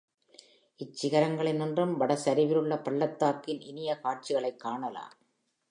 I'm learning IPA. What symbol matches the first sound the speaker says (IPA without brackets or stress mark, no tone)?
ɪ